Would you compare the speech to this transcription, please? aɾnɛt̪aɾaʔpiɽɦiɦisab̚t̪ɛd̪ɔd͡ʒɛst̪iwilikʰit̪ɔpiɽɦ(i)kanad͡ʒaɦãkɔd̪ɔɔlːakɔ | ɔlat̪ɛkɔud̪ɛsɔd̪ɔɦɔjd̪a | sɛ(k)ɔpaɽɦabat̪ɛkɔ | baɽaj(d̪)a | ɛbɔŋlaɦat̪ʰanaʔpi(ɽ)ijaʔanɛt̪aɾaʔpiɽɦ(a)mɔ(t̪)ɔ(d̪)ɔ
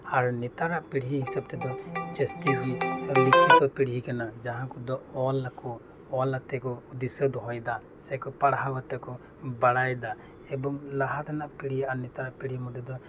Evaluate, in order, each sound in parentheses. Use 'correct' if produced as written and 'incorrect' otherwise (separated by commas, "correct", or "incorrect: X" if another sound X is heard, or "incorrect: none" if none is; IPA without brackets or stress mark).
correct, correct, correct, correct, incorrect: i, incorrect: d̪, correct